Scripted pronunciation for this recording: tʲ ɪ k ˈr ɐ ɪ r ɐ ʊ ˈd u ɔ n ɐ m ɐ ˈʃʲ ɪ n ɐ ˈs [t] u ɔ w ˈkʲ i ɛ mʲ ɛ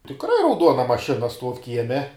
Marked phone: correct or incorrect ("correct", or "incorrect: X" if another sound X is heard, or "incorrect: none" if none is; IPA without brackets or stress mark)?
correct